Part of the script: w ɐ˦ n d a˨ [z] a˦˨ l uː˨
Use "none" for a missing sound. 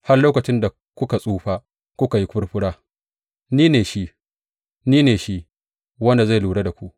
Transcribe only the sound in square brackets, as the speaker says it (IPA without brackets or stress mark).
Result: z